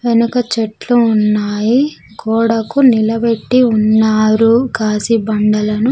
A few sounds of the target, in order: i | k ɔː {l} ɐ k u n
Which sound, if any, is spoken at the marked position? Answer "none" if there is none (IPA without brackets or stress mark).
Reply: ɽ